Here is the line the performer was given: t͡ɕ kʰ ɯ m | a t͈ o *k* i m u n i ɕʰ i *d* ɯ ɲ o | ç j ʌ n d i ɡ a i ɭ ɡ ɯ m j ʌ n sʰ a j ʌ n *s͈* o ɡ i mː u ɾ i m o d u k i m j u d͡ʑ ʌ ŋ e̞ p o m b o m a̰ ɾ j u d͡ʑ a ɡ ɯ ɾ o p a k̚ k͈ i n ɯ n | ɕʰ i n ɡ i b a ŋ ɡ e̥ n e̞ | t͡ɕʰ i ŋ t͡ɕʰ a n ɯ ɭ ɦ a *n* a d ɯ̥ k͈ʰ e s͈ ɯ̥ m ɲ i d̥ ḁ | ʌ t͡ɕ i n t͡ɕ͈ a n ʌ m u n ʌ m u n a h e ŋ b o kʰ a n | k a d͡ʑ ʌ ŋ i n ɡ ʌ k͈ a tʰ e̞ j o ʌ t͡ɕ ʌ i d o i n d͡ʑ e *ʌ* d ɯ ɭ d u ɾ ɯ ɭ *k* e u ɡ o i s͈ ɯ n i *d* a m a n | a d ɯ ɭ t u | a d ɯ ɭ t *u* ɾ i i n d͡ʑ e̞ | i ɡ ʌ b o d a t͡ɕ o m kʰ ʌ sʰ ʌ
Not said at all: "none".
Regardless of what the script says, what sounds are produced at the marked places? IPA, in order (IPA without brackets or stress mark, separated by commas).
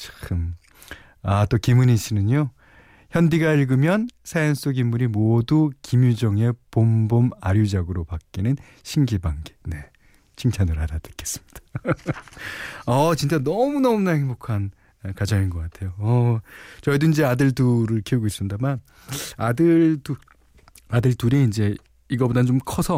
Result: k, n, s͈, d, a, kʰ, d, u